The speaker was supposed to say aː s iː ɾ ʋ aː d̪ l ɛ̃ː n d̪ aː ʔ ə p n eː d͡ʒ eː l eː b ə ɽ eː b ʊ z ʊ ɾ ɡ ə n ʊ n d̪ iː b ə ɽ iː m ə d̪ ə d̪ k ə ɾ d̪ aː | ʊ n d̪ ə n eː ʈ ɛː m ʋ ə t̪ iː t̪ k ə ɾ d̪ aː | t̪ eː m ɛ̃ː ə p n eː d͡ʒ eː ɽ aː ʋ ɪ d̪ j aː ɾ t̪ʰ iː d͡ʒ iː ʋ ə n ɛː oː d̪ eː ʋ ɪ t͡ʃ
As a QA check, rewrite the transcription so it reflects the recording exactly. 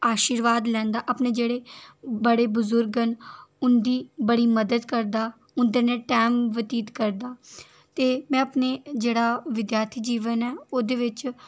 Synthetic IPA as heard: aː ʃ iː ɾ ʋ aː d̪ l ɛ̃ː n d̪ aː ʔ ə p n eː d͡ʒ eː ɽ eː b ə ɽ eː b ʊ z ʊ ɾ ɡ ə n ʊ n d̪ iː b ə ɽ iː m ə d̪ ə d̪ k ə ɾ d̪ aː | ʊ n d̪ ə n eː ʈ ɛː m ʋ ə t̪ iː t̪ k ə ɾ d̪ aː | t̪ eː m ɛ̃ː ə p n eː d͡ʒ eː ɽ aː ʋ ɪ d̪ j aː ɾ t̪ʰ iː d͡ʒ iː ʋ ə n ɛː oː d̪ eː ʋ ɪ t͡ʃ